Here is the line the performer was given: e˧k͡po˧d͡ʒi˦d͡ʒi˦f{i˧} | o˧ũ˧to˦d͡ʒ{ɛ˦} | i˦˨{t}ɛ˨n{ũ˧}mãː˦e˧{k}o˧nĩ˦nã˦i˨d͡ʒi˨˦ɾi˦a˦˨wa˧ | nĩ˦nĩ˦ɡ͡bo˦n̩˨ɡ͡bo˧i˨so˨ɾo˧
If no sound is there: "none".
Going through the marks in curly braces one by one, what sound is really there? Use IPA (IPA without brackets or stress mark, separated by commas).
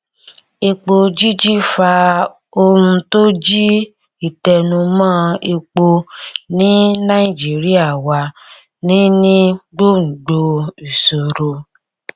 a˧, i˦, t, ũ˧, k͡p